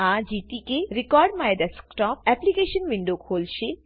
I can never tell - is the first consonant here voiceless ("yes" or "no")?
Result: no